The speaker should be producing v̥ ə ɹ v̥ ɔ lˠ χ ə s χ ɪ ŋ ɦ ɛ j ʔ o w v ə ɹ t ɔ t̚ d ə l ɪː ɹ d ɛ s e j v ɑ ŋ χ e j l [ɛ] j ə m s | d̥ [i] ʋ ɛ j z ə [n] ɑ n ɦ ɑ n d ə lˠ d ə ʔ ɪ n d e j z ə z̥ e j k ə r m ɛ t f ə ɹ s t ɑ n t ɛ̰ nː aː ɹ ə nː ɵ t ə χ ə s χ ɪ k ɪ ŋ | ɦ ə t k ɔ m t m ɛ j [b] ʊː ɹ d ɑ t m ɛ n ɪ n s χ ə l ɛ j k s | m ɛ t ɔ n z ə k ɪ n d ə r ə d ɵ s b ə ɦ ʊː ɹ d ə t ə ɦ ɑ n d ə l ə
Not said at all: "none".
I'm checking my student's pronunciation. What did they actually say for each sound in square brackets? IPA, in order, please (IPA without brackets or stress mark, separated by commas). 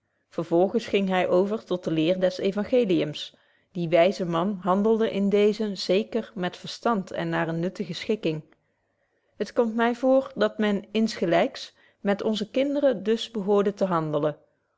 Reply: i, i, m, v